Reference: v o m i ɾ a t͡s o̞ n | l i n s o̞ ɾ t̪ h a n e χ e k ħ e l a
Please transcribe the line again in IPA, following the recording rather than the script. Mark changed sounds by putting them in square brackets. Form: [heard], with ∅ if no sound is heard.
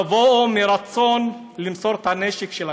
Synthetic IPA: v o m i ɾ a t͡s o̞ n | l i [m] s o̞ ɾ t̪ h a n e [ʃ] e k [ʃ] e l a